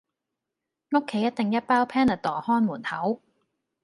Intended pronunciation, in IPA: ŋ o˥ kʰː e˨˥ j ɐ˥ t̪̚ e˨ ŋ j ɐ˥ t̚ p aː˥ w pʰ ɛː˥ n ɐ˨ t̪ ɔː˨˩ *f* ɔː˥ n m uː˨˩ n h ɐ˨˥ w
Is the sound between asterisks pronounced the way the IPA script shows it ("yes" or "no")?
no